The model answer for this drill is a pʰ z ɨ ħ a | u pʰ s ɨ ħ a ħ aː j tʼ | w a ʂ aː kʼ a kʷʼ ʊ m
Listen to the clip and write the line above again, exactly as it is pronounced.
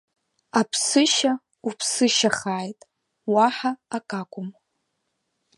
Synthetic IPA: a pʰ s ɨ ʃ a | u pʰ s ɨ ʃ a χ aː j tʼ | w a ħ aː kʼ a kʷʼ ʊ m